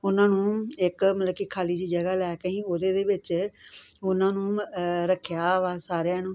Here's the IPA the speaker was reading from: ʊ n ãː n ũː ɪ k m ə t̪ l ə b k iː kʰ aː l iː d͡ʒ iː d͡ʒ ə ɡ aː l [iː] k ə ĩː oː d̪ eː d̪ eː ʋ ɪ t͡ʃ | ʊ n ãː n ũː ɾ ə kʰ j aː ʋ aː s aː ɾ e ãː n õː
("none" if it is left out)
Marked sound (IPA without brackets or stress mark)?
ɛː